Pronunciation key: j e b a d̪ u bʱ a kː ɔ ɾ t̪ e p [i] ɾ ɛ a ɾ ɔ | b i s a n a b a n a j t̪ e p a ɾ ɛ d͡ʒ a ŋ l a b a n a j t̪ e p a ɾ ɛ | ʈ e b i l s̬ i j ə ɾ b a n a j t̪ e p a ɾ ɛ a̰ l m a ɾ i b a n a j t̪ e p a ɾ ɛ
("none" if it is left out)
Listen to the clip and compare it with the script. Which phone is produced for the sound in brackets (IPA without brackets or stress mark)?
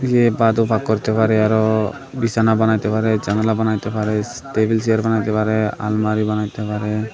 a